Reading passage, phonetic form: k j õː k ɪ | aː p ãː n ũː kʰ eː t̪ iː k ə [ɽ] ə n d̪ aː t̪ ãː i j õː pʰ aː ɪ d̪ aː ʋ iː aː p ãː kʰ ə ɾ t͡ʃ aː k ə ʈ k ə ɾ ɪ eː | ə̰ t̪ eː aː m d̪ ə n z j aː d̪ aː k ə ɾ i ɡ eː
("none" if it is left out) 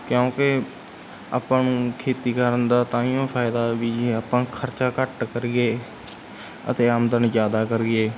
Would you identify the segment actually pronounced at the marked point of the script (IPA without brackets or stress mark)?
ɾ